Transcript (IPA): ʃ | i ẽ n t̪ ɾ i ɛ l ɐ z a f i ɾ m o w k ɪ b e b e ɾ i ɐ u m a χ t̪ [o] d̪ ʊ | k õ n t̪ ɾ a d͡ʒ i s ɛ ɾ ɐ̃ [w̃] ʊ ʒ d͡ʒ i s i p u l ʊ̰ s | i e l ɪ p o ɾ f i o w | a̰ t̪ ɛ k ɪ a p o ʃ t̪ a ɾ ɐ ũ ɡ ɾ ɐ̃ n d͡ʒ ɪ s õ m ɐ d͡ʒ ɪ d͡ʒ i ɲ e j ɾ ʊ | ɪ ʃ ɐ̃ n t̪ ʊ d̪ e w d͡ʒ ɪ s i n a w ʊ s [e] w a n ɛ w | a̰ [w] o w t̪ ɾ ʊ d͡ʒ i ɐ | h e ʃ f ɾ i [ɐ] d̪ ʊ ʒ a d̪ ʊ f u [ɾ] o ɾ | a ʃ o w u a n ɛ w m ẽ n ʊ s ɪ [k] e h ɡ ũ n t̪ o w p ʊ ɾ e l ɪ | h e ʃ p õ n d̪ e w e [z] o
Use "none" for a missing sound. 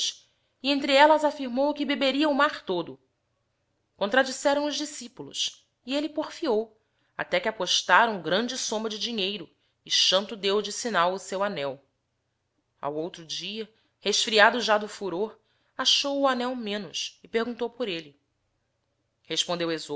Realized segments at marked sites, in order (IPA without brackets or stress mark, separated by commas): o, w̃, e, w, a, ɾ, p, z